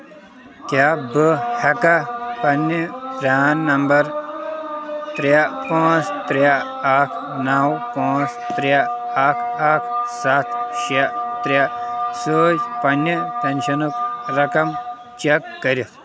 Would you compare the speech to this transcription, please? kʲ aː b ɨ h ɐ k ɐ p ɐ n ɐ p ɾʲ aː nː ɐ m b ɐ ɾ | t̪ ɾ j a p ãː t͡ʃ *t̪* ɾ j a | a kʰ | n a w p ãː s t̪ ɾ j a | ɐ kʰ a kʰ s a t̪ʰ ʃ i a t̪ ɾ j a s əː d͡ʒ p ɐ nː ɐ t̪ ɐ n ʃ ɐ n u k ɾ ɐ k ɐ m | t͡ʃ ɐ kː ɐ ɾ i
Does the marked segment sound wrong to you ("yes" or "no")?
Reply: no